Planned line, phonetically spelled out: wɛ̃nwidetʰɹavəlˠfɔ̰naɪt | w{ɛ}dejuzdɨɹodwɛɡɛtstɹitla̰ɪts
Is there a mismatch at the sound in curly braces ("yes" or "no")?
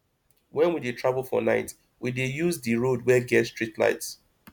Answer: yes